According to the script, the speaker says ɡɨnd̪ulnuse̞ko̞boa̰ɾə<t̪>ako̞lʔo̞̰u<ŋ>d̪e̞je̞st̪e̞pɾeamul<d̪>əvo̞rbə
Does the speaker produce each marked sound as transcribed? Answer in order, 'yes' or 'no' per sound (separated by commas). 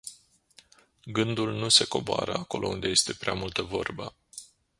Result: no, no, no